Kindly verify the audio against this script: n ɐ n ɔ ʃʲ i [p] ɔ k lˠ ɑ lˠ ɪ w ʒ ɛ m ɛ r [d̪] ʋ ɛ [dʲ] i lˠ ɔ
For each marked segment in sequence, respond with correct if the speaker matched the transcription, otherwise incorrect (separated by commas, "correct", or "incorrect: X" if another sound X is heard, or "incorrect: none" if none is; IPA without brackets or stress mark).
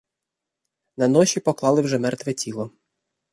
correct, incorrect: t̪, incorrect: tʲ